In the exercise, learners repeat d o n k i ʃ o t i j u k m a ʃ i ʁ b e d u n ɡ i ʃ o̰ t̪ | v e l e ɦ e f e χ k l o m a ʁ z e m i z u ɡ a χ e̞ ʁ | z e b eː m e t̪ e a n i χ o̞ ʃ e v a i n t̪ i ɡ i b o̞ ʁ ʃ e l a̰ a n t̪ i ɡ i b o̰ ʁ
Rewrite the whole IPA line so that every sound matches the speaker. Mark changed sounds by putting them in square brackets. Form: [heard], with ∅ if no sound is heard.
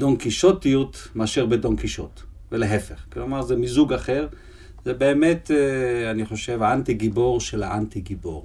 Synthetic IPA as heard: d o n k i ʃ o t i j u [t] m a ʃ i ʁ b e d [o] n [k] i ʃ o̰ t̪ | v e l e ɦ e f e χ k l o m a ʁ z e m i z u ɡ a χ e̞ ʁ | z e b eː m e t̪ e a n i χ o̞ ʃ e v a [a] n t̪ i ɡ i b o̞ ʁ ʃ e l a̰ a n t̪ i ɡ i b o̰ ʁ